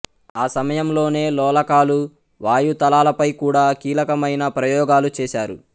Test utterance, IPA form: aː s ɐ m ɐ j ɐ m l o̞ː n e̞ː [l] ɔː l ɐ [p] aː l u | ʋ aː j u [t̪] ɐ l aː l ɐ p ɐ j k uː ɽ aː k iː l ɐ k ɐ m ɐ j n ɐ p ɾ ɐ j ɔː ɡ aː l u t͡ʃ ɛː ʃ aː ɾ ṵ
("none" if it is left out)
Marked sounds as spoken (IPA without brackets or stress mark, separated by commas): l, k, t̪